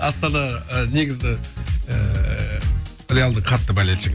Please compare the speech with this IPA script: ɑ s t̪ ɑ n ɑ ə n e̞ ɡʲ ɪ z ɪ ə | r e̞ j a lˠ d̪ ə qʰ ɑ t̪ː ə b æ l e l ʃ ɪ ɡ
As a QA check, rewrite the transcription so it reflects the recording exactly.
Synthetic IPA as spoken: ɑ s t̪ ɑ n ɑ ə n e̞ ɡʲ ɪ z ɪ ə | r e̞ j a lˠ d̪ ə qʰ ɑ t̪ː ə b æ l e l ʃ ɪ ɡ